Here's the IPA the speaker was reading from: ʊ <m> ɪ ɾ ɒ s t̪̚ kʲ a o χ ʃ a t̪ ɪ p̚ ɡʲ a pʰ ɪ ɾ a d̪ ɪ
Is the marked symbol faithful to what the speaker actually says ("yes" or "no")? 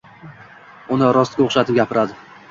no